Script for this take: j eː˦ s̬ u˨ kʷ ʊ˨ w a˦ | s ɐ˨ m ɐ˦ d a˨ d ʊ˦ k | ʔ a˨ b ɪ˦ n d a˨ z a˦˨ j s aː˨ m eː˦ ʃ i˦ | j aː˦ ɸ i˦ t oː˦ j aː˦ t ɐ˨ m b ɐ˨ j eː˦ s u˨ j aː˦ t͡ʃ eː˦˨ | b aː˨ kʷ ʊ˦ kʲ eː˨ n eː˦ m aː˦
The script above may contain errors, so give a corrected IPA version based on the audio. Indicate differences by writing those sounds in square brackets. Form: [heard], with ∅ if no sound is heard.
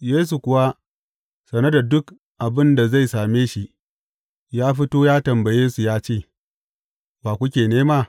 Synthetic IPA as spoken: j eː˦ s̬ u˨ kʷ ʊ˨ w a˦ | s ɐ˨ [n] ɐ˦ d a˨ d ʊ˦ k | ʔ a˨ b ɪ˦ n d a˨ z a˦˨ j s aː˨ m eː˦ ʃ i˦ | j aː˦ ɸ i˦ t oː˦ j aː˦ t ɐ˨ m b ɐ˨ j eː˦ s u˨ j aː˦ t͡ʃ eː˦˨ | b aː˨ kʷ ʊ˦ kʲ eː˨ n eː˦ m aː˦